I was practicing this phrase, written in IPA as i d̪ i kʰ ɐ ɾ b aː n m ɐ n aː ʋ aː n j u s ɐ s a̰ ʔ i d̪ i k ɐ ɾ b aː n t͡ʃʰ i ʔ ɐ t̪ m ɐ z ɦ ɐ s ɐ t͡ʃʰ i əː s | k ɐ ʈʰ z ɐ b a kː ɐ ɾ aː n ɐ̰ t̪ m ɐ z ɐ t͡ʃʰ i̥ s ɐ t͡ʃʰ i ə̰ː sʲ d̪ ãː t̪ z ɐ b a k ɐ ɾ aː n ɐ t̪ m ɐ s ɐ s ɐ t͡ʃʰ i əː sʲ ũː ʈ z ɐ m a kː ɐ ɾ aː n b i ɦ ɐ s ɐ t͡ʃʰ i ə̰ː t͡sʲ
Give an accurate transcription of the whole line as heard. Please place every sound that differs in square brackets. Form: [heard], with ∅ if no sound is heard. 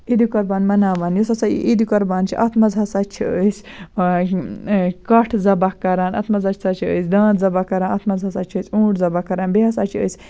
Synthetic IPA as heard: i d̪ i [k] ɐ ɾ b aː n m ɐ n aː ʋ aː n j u s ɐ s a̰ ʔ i d̪ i k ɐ ɾ b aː n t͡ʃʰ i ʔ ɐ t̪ m ɐ z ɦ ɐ s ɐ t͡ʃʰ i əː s | k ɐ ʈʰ z ɐ b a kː ɐ ɾ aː n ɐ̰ t̪ m ɐ z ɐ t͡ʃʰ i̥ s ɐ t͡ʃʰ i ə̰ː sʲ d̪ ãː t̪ z ɐ b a k ɐ ɾ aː n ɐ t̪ m ɐ [z] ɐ s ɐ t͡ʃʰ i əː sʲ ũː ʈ z ɐ [b] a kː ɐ ɾ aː n b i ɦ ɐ s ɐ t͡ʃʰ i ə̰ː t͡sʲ